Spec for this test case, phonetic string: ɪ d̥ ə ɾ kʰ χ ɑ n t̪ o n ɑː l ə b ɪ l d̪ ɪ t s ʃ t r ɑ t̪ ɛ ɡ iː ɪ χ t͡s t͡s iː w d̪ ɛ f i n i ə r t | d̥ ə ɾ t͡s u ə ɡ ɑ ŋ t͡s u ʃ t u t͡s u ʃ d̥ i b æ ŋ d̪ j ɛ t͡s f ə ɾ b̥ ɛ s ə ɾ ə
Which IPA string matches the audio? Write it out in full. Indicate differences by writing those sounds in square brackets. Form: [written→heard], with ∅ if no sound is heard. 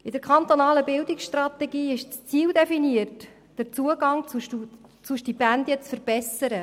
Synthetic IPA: ɪ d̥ ə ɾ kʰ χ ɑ n t̪ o n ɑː l ə b ɪ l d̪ ɪ [t→k] s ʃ t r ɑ t̪ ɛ ɡ iː ɪ [χ→ʃ] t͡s t͡s iː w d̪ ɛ f i n i ə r t | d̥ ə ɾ t͡s u ə ɡ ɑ ŋ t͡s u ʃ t u t͡s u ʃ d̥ i b æ [ŋ→n] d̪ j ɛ t͡s f ə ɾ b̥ ɛ s ə ɾ ə